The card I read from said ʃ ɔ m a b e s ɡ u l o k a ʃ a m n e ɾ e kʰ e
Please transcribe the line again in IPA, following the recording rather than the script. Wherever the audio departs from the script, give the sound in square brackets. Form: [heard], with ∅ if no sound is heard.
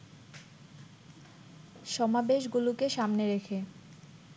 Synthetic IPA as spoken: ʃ ɔ m a b e [ʃ] ɡ u l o k [e] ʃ a m n e ɾ e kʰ e

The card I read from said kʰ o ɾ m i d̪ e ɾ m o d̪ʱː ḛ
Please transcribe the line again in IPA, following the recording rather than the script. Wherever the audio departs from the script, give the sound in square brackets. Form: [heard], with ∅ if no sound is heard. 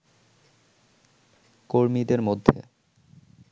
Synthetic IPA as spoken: [k] o ɾ m i d̪ e ɾ m o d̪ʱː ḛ

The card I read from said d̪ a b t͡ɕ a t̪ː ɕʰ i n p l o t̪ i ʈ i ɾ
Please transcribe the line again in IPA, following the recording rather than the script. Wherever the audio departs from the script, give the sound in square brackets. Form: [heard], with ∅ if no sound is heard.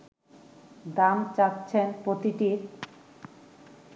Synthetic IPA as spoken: d̪ a [m] t͡ɕ a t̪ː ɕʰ [e] n p [ɾ] o t̪ i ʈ i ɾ

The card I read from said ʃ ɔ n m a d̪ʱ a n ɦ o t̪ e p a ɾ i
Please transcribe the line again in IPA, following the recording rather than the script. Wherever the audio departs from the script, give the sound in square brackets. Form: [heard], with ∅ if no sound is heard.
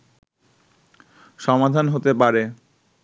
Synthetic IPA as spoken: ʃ ɔ [∅] m a d̪ʱ a n ɦ o t̪ e p a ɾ [e]

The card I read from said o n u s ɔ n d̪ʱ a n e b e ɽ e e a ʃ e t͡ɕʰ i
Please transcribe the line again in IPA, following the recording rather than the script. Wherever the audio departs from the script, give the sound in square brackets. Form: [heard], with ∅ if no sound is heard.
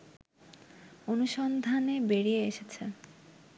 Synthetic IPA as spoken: o n u [ʃ] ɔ n d̪ʱ a n e b e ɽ [i] e [e] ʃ e t͡ɕʰ [e]

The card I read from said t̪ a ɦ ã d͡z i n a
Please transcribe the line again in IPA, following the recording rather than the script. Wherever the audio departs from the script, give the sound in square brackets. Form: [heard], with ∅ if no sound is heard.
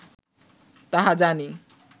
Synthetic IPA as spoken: t̪ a ɦ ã d͡z [a] n [i]

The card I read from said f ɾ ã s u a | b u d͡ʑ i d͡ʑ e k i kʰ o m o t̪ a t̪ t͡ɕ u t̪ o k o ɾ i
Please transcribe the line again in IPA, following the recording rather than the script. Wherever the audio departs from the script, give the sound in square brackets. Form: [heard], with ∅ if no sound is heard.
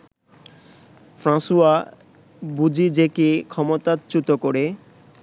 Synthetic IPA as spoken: f ɾ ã s u a | b u d͡ʑ i d͡ʑ e k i kʰ [ɔ] m o t̪ a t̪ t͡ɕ u t̪ o k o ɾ [e]

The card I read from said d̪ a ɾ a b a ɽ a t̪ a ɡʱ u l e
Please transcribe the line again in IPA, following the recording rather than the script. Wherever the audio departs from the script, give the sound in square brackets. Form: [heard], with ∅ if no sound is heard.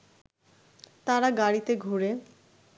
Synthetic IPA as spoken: [t̪] a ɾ a [ɡ] a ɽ [i] t̪ [e] ɡʱ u [ɾ] e

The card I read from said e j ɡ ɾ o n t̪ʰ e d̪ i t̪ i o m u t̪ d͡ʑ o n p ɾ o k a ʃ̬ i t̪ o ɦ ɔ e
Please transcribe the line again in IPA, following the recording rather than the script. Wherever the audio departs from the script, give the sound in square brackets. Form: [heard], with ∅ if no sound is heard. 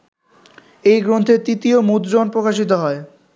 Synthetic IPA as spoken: e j ɡ ɾ o n t̪ʰ e [t̪] i t̪ i o m u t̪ d͡ʑ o n p ɾ o k a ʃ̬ i t̪ o ɦ ɔ e

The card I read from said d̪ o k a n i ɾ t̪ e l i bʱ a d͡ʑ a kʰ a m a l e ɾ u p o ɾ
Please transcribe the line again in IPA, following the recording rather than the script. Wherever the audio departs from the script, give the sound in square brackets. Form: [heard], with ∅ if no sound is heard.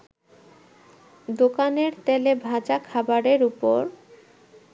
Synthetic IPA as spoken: d̪ o k a n [e] ɾ t̪ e l [e] bʱ a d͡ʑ a kʰ a [b] a [ɾ] e ɾ u p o ɾ

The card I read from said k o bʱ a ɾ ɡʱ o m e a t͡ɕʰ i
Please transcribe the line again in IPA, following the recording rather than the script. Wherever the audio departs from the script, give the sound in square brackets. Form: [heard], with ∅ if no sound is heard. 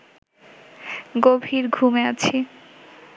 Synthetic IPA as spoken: [ɡ] o bʱ [i] ɾ ɡʱ [u] m e a t͡ɕʰ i

